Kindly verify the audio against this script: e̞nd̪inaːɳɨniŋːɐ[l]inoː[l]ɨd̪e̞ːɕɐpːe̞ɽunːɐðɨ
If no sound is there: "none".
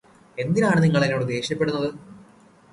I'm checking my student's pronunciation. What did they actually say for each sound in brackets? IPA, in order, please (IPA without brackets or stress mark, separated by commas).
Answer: ɭ, ɽ